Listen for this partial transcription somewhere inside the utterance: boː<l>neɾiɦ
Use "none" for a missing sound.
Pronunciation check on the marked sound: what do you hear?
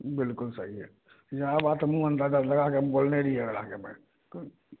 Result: l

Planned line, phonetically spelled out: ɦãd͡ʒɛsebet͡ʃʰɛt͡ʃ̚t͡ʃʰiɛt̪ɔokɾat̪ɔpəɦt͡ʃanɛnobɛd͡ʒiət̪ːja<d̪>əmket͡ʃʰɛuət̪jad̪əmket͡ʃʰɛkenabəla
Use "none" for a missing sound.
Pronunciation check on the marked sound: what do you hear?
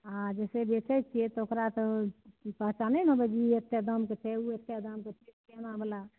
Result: d̪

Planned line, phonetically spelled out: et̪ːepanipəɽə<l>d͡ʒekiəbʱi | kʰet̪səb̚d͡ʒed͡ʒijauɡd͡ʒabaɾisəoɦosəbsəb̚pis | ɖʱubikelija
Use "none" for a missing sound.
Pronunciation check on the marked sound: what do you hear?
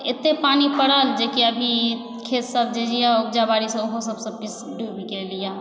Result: l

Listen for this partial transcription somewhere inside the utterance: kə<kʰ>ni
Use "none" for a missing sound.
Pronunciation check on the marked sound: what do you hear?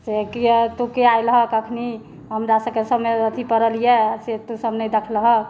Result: kʰ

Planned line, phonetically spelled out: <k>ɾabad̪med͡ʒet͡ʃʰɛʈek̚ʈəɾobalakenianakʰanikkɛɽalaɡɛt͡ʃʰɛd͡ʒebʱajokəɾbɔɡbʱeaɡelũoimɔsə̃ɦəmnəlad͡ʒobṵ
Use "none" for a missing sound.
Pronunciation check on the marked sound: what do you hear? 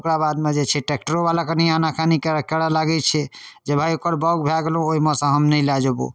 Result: k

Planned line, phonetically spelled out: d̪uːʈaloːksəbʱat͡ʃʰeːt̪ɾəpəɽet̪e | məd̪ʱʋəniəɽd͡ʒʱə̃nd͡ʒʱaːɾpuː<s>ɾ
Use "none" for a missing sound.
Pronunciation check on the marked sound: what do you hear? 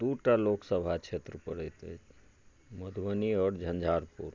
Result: none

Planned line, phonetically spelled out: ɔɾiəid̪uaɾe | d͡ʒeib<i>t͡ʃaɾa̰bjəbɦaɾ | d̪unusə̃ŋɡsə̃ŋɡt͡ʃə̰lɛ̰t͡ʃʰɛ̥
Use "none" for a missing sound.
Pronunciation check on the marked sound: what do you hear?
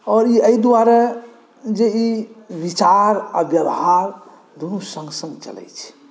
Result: i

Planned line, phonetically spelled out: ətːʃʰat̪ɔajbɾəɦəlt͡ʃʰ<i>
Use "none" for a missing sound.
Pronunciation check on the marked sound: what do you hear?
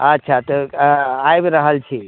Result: i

